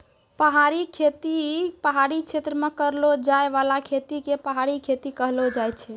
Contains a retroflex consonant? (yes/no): no